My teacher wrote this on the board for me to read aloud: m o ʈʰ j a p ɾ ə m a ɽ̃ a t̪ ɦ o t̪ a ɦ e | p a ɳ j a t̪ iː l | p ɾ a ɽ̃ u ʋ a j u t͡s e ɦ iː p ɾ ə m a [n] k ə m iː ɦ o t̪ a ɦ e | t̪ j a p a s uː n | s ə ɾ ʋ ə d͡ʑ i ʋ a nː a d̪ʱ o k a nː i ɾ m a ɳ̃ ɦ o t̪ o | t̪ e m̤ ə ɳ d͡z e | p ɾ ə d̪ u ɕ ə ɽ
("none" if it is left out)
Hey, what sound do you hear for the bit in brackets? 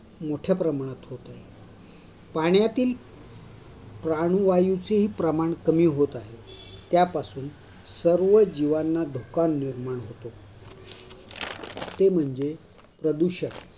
ɳ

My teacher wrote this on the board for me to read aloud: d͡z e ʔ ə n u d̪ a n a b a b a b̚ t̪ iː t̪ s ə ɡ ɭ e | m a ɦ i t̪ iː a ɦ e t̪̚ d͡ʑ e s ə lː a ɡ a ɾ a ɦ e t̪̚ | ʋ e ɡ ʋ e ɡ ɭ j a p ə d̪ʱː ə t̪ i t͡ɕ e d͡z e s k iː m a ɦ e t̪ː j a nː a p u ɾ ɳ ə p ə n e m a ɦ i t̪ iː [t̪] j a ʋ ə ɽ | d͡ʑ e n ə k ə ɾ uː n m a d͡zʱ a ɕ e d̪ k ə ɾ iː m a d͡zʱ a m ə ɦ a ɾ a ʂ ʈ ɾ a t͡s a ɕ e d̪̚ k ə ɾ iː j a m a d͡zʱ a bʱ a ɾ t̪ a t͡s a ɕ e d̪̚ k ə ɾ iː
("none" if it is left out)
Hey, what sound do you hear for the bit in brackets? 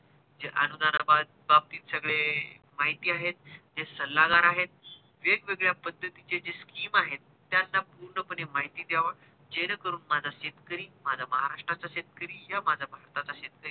d̪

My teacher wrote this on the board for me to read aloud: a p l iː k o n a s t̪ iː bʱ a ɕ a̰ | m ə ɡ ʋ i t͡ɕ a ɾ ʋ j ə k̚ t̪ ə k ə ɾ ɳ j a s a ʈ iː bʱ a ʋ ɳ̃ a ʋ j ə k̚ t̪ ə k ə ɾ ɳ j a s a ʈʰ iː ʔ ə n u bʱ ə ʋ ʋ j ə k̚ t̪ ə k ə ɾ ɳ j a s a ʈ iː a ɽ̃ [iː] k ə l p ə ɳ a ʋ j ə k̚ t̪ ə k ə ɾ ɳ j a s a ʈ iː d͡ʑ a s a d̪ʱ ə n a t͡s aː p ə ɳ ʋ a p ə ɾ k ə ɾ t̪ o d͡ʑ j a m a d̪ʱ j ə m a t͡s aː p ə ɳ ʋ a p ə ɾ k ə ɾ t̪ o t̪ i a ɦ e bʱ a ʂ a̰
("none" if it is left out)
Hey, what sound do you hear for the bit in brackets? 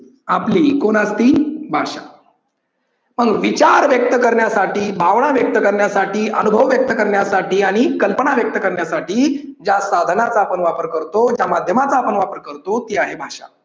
i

